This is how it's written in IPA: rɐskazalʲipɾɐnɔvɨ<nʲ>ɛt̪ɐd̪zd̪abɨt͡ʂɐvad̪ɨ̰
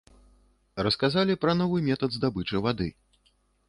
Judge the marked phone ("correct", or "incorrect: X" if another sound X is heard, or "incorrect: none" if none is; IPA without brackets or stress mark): incorrect: mʲ